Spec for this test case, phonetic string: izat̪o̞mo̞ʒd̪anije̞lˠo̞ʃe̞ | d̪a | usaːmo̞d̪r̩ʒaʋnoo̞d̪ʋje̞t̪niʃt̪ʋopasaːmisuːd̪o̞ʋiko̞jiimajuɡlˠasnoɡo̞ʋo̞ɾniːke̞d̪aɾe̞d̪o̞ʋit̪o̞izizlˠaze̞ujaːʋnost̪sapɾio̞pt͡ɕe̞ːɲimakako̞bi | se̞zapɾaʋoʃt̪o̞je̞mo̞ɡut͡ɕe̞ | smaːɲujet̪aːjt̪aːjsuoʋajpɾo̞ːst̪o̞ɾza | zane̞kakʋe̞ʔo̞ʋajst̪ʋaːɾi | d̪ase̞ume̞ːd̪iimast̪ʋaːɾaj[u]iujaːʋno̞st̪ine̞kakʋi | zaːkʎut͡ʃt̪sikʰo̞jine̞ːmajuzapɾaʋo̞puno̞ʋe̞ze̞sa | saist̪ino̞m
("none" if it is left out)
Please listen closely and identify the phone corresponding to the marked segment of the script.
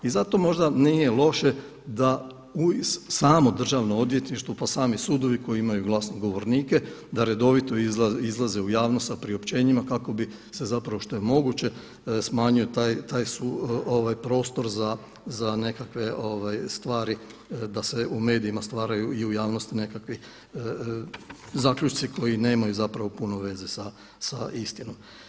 u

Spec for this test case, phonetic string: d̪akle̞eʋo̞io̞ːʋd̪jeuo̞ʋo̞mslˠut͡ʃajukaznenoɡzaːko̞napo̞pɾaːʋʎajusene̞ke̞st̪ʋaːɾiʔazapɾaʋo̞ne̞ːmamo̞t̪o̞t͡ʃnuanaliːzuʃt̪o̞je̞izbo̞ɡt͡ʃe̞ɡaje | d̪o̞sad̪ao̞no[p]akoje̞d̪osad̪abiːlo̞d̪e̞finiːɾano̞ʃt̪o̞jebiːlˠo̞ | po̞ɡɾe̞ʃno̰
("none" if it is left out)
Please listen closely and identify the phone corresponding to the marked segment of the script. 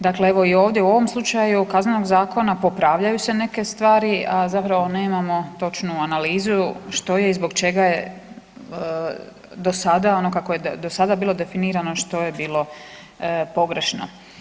k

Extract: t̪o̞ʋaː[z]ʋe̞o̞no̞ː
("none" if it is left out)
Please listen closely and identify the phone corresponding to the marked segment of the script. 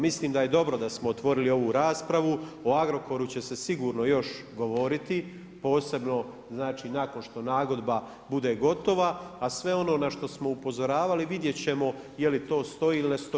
s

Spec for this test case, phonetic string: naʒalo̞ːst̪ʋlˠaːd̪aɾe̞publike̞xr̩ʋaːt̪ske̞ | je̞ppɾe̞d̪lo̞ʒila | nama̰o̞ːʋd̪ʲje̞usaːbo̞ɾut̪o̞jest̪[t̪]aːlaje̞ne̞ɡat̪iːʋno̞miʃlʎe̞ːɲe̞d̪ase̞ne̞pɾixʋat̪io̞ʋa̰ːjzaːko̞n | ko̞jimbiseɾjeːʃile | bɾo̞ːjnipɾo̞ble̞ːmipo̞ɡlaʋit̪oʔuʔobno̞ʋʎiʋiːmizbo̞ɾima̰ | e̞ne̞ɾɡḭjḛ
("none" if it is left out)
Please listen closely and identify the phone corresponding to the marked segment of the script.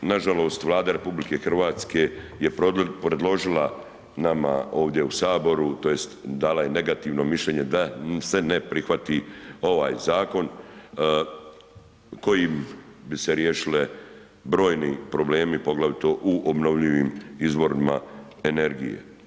d̪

